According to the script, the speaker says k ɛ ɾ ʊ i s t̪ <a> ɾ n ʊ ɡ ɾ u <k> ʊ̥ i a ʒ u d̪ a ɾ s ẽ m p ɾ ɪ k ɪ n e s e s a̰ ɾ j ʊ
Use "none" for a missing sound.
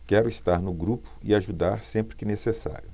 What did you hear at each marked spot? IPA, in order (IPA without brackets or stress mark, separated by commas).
a, p